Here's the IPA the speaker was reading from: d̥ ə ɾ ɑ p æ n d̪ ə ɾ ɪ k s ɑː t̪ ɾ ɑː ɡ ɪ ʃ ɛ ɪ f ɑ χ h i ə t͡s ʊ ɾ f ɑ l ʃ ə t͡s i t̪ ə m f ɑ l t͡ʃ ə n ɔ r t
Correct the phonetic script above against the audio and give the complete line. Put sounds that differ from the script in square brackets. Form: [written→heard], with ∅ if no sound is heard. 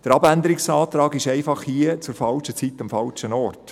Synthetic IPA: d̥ ə ɾ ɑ [p→b] æ n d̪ ə ɾ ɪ k s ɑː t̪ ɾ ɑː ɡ ɪ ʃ ɛ ɪ f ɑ χ h i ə t͡s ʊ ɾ f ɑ l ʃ ə t͡s i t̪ [ə→ɑ] m f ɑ l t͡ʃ ə n ɔ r t